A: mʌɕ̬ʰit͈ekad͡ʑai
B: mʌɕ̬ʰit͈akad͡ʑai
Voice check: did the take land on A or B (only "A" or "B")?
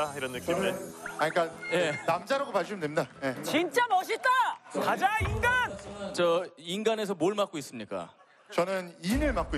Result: B